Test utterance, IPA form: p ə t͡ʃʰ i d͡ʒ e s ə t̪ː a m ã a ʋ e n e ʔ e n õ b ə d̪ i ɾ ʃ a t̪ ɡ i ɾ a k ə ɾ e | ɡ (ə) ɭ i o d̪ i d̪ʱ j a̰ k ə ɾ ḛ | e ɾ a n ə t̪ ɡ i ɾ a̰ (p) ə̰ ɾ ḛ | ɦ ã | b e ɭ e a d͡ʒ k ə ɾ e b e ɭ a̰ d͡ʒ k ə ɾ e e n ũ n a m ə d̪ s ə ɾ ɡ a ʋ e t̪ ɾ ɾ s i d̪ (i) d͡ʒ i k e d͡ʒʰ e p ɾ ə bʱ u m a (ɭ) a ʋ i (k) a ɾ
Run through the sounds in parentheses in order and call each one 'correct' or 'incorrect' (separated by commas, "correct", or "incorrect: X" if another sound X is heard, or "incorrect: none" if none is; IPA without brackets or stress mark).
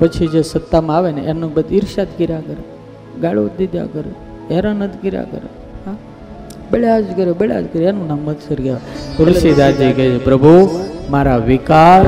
incorrect: a, incorrect: k, incorrect: a, incorrect: ɾ, correct